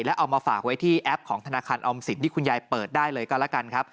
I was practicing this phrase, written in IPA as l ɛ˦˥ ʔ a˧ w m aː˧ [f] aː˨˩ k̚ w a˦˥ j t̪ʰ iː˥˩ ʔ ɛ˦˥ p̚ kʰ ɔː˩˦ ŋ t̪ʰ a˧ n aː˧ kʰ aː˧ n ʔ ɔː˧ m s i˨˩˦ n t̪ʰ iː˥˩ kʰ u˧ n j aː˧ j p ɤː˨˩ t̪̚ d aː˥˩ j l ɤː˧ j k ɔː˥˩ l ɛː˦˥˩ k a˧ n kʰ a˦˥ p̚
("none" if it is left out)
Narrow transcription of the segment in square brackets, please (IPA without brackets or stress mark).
f